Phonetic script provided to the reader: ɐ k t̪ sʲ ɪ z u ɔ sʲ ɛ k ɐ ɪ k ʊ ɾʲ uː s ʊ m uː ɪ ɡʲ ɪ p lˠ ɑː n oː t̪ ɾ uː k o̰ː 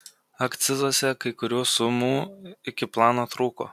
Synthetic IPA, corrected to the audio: ɐ k t̪ sʲ ɪ z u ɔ sʲ ɛ k ɐ ɪ k ʊ ɾʲ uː s ʊ m uː ɪ kʲ ɪ p lˠ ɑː n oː t̪ ɾ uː k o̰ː